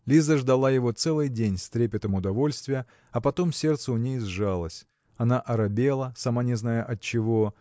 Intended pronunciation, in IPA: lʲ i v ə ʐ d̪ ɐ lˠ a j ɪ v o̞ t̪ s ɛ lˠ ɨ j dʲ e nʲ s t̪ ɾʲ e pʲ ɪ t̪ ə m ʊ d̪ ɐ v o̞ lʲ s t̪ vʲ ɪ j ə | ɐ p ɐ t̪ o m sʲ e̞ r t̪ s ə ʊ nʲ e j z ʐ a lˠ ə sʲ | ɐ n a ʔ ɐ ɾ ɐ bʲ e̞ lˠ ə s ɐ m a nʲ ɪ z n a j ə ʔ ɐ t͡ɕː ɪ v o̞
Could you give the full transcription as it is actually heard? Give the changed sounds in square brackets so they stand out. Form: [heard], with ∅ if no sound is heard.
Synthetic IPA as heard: lʲ i [z] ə ʐ d̪ ɐ lˠ a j ɪ v o̞ t̪ s ɛ lˠ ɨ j dʲ e nʲ s t̪ ɾʲ e pʲ ɪ t̪ ə m ʊ d̪ ɐ v o̞ lʲ s t̪ vʲ ɪ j ə | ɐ p ɐ t̪ o m sʲ e̞ r t̪ s ə ʊ nʲ e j z ʐ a lˠ ə sʲ | ɐ n a ʔ ɐ ɾ ɐ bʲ e̞ lˠ ə s ɐ m a nʲ ɪ z n a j ə ʔ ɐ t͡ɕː ɪ v o̞